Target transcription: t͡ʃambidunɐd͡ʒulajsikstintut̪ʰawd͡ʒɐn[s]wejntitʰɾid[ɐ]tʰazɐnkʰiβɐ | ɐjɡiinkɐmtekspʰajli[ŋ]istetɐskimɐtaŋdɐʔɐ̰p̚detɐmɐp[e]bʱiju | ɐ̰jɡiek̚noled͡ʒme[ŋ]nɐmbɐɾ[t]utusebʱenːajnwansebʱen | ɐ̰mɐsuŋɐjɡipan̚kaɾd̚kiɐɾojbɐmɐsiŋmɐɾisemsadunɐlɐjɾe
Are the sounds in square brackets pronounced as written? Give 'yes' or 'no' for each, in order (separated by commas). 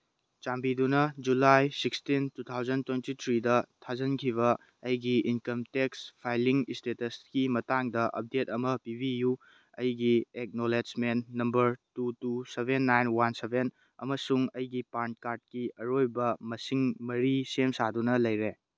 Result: no, yes, yes, no, no, yes